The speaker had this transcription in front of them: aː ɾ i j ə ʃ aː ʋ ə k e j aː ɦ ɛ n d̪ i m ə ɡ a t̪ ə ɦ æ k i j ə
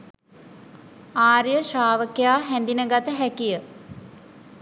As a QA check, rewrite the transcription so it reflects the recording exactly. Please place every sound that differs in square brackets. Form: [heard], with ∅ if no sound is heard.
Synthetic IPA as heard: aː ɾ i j ə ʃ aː ʋ ə k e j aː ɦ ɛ n d̪ i [n] ə ɡ a t̪ ə ɦ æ k i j ə